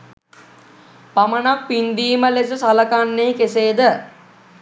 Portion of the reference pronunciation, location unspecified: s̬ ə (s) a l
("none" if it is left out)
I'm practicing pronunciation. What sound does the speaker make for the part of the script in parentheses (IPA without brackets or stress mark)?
s